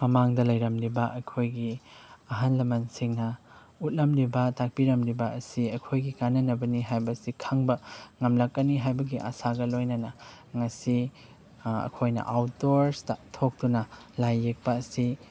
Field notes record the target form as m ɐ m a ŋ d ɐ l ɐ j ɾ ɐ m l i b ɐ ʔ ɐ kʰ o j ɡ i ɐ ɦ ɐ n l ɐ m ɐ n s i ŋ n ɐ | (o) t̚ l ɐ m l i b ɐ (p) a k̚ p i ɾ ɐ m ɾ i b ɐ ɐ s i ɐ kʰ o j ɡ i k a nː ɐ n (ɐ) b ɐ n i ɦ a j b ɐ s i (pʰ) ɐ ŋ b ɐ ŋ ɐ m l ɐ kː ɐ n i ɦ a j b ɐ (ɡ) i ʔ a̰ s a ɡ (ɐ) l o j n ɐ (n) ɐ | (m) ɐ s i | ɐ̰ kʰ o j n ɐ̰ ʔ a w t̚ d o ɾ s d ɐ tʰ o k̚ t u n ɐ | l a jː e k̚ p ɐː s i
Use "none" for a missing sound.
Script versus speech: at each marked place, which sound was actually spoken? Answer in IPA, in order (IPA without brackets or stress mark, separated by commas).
u, t, ɐ, kʰ, ɡ, ɐ, n, ŋ